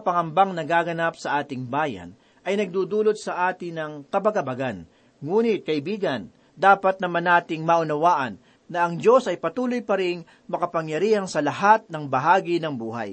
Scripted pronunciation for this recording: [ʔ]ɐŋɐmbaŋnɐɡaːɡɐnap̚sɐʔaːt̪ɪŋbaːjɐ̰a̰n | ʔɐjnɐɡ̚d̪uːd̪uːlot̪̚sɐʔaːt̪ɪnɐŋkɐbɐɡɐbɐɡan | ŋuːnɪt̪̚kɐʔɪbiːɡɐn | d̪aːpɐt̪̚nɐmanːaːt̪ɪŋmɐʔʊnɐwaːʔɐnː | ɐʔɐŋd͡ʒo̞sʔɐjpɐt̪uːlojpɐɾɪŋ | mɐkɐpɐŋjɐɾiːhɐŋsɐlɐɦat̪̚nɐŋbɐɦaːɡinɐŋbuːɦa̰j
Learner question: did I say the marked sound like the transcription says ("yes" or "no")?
no